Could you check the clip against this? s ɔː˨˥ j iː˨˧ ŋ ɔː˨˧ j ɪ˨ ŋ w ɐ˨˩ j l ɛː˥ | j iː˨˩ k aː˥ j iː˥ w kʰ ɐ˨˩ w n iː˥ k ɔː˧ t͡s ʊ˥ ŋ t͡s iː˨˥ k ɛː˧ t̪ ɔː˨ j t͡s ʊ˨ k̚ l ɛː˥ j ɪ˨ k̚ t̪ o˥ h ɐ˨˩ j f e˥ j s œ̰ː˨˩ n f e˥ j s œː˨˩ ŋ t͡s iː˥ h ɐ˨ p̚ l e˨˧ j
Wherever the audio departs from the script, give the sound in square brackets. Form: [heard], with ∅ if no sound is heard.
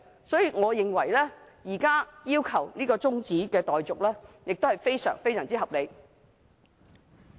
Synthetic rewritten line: s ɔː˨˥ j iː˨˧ ŋ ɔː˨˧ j ɪ˨ ŋ w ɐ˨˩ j l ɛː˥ | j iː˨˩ k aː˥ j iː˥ w kʰ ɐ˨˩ w n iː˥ k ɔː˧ t͡s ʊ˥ ŋ t͡s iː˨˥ k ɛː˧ t̪ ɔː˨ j t͡s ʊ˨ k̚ l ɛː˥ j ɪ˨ k̚ t̪ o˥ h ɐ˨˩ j f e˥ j s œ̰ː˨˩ [ŋ] f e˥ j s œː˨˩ ŋ t͡s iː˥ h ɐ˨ p̚ l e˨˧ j